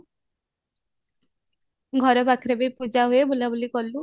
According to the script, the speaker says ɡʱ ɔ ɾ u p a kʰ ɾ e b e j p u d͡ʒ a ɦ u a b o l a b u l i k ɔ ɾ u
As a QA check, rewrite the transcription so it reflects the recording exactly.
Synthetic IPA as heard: ɡʱ ɔ ɾ ɔ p a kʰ ɾ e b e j p u d͡ʒ a ɦ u e b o l a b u l i k ɔ l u